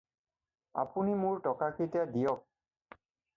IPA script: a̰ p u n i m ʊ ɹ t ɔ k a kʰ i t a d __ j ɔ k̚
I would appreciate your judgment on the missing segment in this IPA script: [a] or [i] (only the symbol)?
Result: i